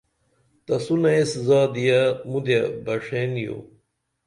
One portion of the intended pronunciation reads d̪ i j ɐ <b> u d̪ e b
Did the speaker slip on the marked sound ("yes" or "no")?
yes